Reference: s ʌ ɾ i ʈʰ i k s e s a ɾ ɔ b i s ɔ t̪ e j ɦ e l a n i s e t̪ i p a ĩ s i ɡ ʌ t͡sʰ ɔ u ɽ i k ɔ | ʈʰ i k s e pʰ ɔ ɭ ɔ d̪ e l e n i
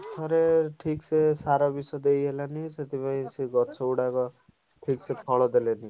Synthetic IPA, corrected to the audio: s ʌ ɾ e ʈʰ i k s e s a ɾ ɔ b i s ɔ d̪ e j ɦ e l a n i s e t̪ i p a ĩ s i ɡ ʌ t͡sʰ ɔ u ɽ a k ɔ | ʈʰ i k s e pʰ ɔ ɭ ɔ d̪ e l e n i